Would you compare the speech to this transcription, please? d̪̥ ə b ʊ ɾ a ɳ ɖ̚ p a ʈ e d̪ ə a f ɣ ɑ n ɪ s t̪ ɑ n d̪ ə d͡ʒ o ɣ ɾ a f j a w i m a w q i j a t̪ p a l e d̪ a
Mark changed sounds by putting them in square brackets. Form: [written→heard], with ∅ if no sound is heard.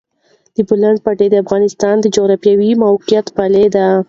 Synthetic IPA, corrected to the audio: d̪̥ ə b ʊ [ɾ→l] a ɳ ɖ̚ p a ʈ e d̪ ə a f ɣ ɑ n ɪ s t̪ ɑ n d̪ ə d͡ʒ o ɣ ɾ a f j a w i m a w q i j a t̪ p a l e d̪ a